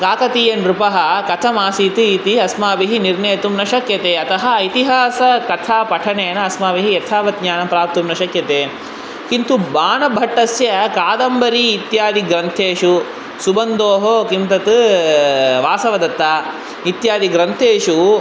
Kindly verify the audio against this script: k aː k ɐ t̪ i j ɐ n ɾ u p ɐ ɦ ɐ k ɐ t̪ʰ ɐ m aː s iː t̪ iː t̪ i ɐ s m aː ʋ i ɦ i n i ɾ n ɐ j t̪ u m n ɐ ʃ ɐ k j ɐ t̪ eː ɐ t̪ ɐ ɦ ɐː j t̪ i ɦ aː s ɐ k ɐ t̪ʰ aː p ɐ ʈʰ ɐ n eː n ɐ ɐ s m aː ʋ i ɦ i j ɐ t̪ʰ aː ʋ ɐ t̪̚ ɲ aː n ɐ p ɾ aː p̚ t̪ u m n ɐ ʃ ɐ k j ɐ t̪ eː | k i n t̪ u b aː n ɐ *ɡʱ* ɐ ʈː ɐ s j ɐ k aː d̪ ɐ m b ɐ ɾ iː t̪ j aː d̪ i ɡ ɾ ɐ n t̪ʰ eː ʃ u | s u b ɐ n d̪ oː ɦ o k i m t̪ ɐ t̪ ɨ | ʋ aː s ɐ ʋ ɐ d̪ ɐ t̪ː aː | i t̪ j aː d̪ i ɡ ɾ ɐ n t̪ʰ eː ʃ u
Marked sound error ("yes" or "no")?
yes